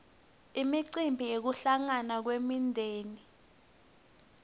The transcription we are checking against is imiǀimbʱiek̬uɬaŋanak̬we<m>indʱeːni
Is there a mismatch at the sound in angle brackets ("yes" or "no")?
no